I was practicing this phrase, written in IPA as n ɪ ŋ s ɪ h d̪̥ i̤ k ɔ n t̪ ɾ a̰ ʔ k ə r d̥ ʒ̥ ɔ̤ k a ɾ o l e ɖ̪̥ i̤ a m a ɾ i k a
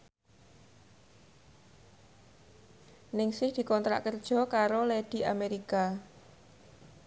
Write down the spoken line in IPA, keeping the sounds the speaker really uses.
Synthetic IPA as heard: n ɪ ŋ s ɪ h d̪̥ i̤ k ɔ n t̪ ɾ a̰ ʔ k ə r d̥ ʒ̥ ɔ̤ k a ɾ o l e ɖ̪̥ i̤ a m e ɾ i k a